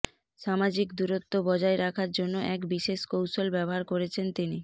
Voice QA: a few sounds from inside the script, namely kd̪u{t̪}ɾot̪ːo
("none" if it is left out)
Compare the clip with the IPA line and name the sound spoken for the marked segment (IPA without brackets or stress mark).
none